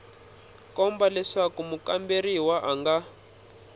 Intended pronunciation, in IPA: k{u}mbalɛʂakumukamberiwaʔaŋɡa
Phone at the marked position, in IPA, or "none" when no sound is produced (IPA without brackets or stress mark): ɔ